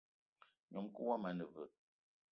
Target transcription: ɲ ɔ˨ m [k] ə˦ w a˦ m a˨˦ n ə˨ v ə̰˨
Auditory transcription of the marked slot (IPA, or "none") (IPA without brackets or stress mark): k